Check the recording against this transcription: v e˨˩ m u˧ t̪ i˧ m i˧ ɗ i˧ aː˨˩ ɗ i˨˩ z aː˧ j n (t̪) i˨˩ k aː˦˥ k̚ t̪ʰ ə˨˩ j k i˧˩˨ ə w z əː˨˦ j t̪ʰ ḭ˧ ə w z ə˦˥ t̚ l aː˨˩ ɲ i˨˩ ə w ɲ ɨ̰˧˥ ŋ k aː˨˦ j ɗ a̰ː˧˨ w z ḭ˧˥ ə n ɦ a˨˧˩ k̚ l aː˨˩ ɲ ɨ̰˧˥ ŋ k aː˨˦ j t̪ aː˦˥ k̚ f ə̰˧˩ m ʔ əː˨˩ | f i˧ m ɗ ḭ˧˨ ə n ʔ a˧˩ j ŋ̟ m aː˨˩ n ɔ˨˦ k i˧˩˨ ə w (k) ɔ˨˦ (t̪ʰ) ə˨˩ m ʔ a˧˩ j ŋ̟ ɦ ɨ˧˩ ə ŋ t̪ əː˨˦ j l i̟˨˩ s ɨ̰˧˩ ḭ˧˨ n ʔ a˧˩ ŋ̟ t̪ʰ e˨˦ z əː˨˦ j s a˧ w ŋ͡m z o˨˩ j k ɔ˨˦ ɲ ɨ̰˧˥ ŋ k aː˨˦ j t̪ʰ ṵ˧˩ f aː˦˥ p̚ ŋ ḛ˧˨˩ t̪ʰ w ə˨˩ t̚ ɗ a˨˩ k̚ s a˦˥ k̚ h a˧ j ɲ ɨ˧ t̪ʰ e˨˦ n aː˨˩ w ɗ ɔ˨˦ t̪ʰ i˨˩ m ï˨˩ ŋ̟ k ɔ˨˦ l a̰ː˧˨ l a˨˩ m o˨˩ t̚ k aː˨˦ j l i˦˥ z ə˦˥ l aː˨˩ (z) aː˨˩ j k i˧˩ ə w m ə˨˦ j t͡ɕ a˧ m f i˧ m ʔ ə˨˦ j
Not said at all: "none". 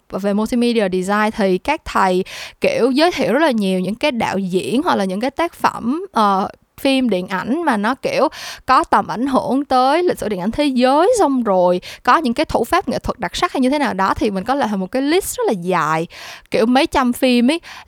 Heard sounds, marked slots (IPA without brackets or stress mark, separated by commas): t̪ʰ, k, t̪, z